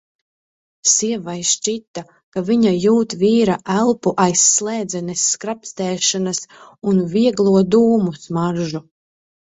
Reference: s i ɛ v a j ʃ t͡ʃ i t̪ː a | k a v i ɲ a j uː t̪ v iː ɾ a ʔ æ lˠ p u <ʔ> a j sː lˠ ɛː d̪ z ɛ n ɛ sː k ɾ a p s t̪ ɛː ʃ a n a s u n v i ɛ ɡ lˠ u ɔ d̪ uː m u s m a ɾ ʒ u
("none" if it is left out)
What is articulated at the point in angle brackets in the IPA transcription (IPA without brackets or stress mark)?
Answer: ʔ